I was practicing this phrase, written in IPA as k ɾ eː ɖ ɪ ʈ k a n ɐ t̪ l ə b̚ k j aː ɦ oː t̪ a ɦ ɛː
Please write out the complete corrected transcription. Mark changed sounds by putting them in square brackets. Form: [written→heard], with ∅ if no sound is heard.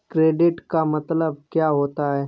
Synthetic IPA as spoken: k ɾ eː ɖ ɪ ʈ k a [n→m] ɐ t̪ l ə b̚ k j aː ɦ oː t̪ a ɦ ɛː